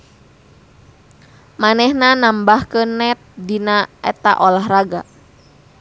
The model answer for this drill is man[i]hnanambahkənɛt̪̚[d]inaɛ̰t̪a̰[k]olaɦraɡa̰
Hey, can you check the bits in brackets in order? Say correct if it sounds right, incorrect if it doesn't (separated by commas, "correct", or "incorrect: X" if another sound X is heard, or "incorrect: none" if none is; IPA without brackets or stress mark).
incorrect: ɛ, correct, incorrect: ʔ